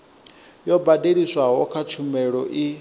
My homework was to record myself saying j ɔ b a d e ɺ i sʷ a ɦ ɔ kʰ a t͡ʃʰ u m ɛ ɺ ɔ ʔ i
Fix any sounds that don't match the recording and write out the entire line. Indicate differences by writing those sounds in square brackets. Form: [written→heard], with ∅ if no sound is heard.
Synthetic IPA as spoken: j ɔ b a d e ɺ i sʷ a ɦ ɔ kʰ a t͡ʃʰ u m ɛ ɺ ɔ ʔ i